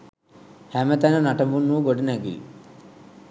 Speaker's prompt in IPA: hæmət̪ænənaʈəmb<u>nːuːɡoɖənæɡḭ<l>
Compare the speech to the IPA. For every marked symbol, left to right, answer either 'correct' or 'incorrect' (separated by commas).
correct, correct